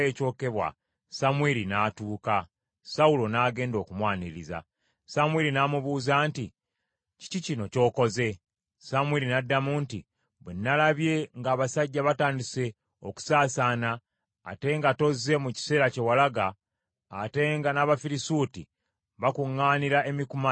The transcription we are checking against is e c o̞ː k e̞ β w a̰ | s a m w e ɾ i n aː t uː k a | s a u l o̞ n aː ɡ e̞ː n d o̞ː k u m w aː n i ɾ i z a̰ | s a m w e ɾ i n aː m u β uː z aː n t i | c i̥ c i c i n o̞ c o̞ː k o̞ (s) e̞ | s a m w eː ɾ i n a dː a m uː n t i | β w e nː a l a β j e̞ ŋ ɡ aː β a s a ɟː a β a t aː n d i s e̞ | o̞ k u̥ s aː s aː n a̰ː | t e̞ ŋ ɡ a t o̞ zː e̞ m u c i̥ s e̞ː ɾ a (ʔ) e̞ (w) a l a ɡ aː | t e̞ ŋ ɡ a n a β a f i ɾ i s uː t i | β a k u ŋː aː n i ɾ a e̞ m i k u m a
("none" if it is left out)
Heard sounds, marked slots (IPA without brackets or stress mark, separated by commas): z, c, w